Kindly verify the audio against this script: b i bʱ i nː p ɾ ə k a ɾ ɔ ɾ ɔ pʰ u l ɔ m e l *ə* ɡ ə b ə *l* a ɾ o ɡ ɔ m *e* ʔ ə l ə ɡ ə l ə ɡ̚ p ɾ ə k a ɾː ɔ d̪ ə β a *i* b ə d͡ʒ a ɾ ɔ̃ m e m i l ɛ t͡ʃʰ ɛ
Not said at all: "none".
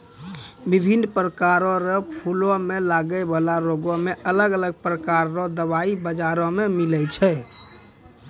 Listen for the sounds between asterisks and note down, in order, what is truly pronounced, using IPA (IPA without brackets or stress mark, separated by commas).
a, l, e, i